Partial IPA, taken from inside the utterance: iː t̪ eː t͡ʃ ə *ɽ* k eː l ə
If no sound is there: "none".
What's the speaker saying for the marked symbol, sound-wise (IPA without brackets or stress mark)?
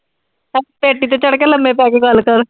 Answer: ɽ